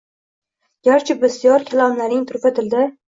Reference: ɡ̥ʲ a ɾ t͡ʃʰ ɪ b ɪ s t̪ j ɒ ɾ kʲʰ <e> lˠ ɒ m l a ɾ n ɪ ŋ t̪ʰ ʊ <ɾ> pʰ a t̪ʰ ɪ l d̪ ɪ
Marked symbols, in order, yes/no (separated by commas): no, yes